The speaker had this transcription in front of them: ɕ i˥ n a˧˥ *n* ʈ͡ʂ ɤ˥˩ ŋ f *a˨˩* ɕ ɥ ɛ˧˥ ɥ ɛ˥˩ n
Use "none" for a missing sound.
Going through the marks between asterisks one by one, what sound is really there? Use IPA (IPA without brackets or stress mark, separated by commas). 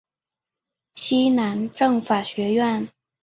n, a˨˩